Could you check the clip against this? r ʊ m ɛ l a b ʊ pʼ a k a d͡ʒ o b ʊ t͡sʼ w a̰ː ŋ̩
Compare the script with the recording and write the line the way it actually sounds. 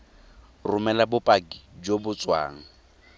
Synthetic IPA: r ʊ m ɛ l a b ʊ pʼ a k i d͡ʒ o b ʊ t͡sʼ w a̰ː ŋ̩